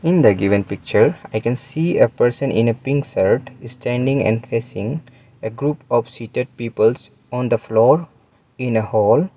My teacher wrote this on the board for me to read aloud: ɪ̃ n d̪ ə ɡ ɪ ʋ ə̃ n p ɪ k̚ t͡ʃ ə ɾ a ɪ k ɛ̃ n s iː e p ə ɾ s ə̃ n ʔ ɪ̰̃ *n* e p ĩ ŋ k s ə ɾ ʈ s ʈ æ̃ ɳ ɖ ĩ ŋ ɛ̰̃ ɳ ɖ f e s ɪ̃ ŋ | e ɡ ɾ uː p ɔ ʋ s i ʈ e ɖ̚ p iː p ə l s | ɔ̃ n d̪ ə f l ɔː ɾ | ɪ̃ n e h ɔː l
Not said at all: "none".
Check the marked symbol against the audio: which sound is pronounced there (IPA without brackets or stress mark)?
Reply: n